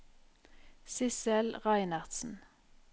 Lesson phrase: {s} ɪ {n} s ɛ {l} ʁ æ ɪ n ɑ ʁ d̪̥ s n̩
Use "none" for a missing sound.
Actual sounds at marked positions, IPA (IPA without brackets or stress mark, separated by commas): s, none, l